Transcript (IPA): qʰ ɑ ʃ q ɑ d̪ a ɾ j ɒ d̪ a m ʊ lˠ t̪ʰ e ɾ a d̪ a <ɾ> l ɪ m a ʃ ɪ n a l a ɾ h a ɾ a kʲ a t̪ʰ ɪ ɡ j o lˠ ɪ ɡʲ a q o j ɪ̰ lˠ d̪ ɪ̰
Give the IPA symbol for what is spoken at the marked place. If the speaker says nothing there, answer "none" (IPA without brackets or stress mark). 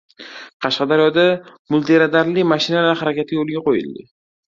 ɾ